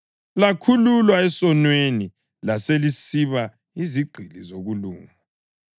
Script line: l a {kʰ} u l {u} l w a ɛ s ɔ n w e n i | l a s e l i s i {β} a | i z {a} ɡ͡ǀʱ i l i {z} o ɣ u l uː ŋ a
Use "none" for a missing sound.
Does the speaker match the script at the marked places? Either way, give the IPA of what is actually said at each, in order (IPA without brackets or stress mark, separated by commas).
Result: kʰ, u, β, i, z